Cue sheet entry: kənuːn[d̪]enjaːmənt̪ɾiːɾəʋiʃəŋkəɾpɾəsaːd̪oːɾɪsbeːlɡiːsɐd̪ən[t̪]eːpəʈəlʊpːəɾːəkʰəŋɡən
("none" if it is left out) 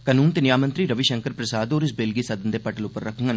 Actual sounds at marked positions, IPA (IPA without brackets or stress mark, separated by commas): t̪, d̪